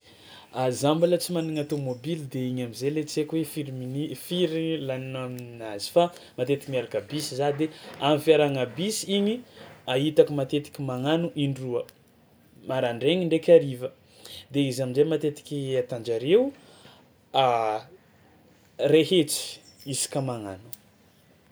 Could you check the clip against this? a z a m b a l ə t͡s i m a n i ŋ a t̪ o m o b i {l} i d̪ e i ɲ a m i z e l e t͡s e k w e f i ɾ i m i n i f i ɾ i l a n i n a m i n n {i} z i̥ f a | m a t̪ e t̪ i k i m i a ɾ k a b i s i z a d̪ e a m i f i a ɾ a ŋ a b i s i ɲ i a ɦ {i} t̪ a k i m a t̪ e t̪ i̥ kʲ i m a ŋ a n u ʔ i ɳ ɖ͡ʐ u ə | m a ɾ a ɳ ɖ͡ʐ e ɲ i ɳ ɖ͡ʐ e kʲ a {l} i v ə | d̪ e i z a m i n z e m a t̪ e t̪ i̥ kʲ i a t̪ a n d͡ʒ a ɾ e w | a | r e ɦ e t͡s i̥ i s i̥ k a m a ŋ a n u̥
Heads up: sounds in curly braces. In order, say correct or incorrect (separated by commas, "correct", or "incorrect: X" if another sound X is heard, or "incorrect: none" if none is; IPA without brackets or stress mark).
correct, incorrect: a, correct, incorrect: ɾ